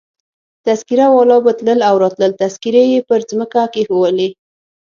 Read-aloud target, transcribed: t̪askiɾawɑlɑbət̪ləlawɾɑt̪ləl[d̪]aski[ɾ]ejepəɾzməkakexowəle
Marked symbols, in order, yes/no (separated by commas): no, yes